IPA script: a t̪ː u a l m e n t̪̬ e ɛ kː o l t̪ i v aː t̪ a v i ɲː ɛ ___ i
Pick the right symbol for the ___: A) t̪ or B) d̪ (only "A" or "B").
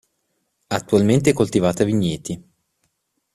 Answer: A